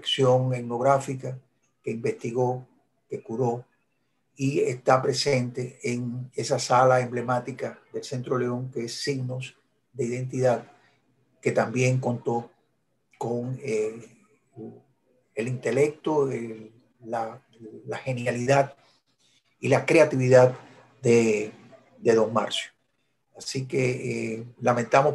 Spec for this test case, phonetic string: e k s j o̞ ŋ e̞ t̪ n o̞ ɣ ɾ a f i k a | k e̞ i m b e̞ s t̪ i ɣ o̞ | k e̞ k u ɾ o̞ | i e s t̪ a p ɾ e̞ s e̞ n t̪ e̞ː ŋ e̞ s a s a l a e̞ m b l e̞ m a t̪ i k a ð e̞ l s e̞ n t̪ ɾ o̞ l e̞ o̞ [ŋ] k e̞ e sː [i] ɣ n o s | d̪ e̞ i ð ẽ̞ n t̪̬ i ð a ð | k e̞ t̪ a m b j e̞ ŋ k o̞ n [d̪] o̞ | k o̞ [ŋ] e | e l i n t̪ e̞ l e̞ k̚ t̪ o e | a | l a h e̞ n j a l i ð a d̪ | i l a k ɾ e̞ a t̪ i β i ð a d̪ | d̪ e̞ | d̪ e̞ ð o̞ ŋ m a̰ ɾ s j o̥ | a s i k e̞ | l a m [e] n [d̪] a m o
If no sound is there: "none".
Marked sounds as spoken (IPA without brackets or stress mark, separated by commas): ŋ, i, t̪, ŋ, ẽ, t̪